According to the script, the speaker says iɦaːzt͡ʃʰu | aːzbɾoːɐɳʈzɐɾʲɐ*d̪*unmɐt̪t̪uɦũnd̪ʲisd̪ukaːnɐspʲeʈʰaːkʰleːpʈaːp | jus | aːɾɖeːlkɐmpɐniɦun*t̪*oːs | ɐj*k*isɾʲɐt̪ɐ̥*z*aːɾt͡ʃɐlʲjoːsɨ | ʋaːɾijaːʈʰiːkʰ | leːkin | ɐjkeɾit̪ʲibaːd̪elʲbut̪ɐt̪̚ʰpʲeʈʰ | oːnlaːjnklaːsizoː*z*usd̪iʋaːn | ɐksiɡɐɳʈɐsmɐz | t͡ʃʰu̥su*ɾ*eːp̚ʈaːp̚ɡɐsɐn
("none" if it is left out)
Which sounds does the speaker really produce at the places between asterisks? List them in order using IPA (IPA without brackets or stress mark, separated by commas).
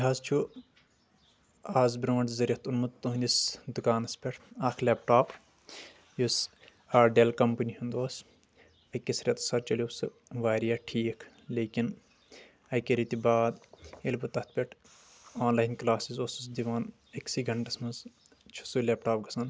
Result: t̪, d̪, k, s, s, l